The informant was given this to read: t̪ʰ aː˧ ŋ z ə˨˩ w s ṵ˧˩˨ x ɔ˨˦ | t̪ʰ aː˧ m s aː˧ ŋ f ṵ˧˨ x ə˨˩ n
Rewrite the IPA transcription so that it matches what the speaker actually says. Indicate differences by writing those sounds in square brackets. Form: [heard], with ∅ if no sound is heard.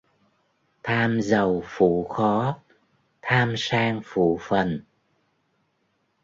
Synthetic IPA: t̪ʰ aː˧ [m] z ə˨˩ w [f] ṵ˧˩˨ x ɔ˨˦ | t̪ʰ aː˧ m s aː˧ ŋ f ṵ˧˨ [f] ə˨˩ n